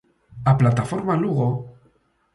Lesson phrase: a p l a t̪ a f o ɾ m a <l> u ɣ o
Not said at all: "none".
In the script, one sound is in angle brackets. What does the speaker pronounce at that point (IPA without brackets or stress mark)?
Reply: l